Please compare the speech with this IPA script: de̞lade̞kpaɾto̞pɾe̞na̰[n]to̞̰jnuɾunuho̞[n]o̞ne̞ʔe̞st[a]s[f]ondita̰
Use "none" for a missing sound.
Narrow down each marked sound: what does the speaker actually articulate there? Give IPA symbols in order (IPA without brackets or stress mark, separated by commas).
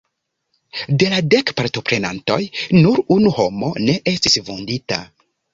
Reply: n, m, i, v